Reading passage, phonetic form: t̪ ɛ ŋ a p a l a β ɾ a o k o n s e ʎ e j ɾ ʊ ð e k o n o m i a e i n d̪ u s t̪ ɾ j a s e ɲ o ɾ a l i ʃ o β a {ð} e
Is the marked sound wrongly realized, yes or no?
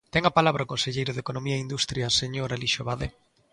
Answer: no